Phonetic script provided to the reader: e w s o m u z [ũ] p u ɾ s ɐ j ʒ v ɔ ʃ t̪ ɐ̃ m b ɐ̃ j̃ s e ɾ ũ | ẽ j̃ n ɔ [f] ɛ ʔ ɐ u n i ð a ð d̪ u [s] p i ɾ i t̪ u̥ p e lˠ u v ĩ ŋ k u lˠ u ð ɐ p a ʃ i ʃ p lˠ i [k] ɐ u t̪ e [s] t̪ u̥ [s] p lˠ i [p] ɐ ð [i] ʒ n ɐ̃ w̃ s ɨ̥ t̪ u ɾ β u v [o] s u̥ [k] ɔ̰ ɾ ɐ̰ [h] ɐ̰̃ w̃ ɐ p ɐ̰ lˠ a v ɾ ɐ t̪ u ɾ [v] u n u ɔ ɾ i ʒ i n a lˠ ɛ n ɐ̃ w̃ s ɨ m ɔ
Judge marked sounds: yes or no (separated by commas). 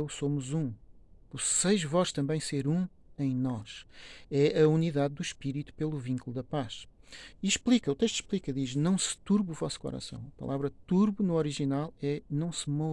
yes, no, no, yes, no, no, no, yes, no, yes, no, no